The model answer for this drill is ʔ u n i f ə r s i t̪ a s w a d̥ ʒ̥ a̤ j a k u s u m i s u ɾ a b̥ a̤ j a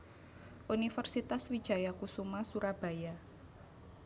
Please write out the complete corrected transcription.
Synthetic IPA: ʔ u n i f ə r s i t̪ a s w i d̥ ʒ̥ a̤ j a k u s u m a s u ɾ a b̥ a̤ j a